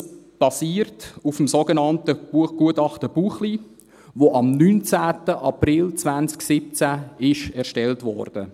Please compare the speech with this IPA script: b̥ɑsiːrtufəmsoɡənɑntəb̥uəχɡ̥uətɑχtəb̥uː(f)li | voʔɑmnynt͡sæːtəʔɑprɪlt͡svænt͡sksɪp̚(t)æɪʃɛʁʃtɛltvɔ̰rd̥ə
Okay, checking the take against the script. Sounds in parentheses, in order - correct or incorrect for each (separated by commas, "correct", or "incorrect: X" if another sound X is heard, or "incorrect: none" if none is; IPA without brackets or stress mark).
incorrect: χ, incorrect: t͡s